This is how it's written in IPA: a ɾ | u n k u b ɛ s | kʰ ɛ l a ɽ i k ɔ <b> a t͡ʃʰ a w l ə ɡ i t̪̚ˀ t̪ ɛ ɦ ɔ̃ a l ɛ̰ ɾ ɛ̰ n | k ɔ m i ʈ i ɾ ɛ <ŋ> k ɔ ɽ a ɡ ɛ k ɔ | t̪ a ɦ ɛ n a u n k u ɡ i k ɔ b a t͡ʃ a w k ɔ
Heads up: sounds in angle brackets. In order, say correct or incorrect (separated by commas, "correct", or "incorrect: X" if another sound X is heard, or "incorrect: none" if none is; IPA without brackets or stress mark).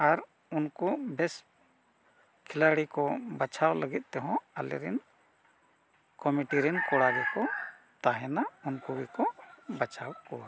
correct, incorrect: n